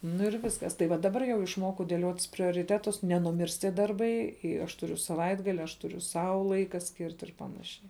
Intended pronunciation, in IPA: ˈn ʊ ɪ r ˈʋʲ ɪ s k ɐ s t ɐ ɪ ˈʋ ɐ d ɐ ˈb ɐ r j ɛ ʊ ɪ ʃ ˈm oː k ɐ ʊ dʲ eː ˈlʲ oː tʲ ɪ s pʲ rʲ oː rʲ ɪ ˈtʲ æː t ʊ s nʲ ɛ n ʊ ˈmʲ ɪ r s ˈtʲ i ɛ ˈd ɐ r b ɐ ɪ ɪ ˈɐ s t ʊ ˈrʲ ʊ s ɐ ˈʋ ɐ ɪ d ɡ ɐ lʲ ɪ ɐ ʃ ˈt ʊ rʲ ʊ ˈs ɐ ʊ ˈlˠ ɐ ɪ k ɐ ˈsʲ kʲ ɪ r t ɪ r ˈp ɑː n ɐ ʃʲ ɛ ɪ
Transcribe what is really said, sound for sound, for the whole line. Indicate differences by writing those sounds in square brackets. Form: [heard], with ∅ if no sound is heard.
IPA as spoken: ˈn ʊ ɪ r ˈʋʲ ɪ s k ɐ s t ɐ ɪ ˈʋ ɐ d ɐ ˈb ɐ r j ɛ ʊ ɪ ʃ ˈm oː k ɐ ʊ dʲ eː ˈlʲ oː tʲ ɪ s pʲ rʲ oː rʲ ɪ ˈtʲ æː t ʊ s nʲ ɛ n ʊ ˈmʲ ɪ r s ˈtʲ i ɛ ˈd ɐ r b ɐ ɪ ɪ ˈɐ [ʃ] t ʊ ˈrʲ ʊ s ɐ ˈʋ ɐ ɪ d ɡ ɐ lʲ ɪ ɐ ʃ ˈt ʊ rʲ ʊ ˈs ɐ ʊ ˈlˠ ɐ ɪ k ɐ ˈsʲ kʲ ɪ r t ɪ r ˈp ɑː n ɐ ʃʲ ɛ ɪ